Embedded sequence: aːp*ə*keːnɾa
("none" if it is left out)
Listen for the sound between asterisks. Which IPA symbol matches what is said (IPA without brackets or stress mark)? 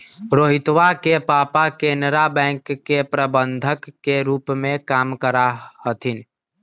a